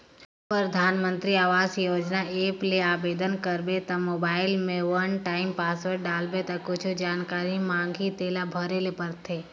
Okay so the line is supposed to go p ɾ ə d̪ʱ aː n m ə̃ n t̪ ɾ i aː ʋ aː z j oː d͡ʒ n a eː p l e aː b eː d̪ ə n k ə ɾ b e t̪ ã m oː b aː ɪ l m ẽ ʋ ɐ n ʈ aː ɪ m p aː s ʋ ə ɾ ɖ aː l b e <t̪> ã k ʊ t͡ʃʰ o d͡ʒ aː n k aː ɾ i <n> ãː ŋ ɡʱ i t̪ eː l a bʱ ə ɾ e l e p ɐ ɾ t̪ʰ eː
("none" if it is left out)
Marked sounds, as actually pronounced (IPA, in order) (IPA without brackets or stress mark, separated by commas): t̪, m